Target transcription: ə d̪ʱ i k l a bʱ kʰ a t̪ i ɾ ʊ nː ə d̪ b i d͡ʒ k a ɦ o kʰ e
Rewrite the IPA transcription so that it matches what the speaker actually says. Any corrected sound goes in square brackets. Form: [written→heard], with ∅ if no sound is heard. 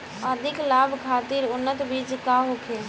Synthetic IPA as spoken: ə d̪ʱ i k l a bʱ kʰ a t̪ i ɾ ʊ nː ə [d̪→t̪] b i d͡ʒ k a ɦ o kʰ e